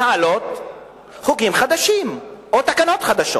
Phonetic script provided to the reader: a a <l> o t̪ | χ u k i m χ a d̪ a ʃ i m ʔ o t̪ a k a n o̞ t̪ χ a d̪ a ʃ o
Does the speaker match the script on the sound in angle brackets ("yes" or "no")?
yes